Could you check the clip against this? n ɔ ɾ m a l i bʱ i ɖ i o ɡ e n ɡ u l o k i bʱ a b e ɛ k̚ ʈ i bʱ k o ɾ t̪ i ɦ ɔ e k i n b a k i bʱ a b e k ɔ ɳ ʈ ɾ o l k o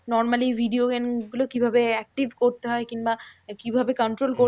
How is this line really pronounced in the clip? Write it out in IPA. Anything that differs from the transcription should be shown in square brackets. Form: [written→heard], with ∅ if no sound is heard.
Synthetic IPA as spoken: n ɔ ɾ m a l i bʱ i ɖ i o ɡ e n ɡ u l o k i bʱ a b e ɛ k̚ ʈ i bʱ k o ɾ t̪ [i→e] ɦ ɔ e k i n b a k i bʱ a b e k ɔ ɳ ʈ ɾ o l k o